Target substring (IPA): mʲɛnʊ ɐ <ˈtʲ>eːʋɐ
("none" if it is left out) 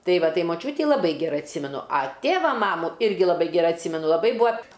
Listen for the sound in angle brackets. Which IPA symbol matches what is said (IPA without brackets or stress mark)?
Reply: tʲ